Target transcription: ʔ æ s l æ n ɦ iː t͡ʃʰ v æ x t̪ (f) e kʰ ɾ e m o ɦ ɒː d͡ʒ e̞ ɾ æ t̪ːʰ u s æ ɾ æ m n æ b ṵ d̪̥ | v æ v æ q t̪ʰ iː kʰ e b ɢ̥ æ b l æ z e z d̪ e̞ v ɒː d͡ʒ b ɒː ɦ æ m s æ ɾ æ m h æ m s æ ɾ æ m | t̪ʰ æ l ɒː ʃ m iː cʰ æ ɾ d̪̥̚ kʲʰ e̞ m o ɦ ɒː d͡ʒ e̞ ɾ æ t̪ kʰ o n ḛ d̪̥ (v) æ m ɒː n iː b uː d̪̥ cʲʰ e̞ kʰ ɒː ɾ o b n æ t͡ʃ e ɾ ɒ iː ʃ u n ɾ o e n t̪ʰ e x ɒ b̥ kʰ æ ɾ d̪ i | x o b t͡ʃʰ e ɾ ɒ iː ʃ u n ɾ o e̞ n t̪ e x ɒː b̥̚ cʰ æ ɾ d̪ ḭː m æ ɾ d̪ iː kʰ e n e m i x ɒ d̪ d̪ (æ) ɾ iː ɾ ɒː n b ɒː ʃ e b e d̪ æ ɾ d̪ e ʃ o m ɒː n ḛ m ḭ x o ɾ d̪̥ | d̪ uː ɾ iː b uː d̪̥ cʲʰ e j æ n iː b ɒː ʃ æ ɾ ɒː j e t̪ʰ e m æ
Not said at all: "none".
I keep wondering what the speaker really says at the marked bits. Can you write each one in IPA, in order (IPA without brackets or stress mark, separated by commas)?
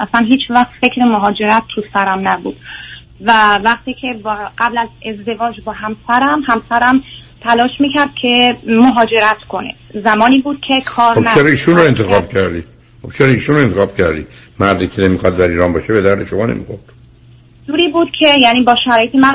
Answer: f, z, æ